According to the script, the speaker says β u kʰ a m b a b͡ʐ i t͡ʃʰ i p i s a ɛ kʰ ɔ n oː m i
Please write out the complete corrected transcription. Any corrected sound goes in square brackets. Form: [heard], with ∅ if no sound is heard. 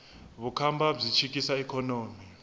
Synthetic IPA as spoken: β u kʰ a m b a b͡ʐ i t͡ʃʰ i [k] i s a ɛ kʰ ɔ n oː m i

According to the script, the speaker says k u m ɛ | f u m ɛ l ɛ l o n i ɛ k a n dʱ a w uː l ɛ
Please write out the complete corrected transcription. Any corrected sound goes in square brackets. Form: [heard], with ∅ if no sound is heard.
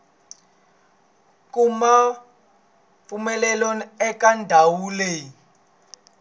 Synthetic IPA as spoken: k u m [a] | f u m ɛ l ɛ l o n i ɛ k a n dʱ a w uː l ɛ

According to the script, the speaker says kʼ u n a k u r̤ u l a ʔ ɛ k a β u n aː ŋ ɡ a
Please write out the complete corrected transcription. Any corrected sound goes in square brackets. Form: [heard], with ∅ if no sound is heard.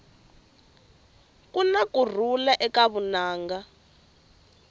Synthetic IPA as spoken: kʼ u n a k u r̤ u l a ʔ ɛ k a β u n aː ŋ ɡ a

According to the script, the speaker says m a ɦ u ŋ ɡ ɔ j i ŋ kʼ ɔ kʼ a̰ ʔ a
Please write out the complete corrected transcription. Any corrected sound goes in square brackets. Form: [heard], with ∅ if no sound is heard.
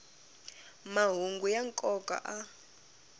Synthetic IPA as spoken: m a ɦ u ŋ ɡ [u] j [a] ŋ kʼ ɔ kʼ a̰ ʔ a

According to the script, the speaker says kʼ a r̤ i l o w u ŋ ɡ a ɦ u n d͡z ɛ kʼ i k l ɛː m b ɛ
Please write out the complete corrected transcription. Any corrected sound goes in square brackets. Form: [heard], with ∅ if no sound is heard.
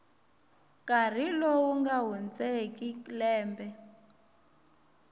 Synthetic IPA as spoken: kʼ a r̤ i l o w u ŋ ɡ a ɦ u n d͡z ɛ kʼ i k l ɛː m b ɛ

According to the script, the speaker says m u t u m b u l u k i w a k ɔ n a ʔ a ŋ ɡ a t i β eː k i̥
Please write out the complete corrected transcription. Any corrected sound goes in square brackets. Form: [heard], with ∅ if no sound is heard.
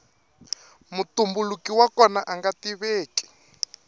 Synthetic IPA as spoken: m u t u m b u l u k i w a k ɔ n a ʔ a ŋ ɡ a t i β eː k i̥

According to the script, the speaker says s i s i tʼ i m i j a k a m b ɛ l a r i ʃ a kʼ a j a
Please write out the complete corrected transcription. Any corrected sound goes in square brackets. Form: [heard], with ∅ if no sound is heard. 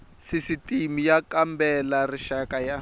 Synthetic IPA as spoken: s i s i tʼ i m i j a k a m b ɛ l a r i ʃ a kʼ a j a

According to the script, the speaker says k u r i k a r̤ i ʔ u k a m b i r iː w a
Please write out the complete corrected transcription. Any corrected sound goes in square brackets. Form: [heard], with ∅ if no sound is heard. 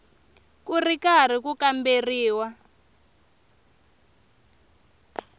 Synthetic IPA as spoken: k u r i k a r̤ i [k] u k a m b [e] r iː w a

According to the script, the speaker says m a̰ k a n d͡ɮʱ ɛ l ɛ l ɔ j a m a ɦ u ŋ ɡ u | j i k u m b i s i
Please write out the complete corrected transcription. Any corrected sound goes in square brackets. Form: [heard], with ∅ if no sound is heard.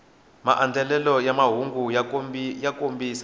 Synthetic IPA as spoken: m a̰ [ʔ] a n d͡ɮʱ ɛ l ɛ l ɔ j a m a ɦ u ŋ ɡ u | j [a] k [o] m b i s [a]

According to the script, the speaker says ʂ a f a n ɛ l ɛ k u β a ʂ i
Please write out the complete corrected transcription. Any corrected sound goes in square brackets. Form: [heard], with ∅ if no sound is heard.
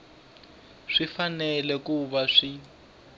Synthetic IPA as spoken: ʂ [i] f a n ɛ l ɛ k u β a ʂ i

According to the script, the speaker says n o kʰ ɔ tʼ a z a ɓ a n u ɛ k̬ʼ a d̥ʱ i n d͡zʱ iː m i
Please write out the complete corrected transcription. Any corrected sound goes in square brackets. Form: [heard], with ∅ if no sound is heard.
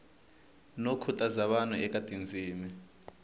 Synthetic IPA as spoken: n o kʰ [u] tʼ a z a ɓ a n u ɛ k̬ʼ a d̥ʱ i n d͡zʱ iː m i

